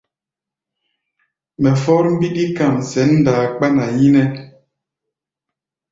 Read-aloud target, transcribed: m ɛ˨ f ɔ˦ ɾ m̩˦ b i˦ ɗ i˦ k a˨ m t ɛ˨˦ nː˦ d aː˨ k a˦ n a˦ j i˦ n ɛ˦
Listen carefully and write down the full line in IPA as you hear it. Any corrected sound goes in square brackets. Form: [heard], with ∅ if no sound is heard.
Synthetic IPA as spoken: m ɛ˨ f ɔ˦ ɾ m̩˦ b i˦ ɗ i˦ k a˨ m [s] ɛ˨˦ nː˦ d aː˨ [k͡p] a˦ n [a˨] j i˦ n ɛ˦